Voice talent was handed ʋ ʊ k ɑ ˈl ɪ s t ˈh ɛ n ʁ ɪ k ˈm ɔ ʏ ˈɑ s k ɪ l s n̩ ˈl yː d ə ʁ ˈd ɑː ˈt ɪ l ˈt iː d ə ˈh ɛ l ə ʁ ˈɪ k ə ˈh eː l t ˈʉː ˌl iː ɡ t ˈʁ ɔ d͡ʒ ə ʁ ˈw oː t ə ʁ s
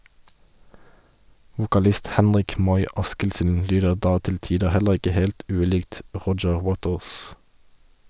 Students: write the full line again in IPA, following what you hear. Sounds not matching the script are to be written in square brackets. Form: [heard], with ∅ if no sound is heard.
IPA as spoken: ʋ ʊ k ɑ ˈl ɪ s t ˈh ɛ n ʁ ɪ k ˈm ɔ ʏ ˈɑ s k ɪ l s n̩ ˈl yː d ə ʁ ˈd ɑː ˈt ɪ l ˈt iː d ə ˈh ɛ l ə ʁ ˈɪ k ə ˈh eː l t ˈʉː ˌl iː ɡ t ˈʁ ɔ d͡ʒ ə ʁ ˈw oː t ə ʁ s